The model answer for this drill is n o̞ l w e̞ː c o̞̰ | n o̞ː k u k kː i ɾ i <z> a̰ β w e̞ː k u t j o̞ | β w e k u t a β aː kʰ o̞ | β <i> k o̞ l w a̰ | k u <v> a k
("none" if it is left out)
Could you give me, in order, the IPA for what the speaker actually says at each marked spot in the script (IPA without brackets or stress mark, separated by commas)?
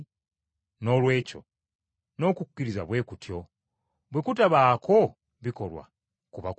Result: z, i, β